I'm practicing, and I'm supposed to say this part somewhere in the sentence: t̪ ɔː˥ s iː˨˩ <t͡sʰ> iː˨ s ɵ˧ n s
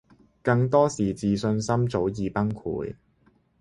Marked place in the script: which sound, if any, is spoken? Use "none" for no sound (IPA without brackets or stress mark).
t͡s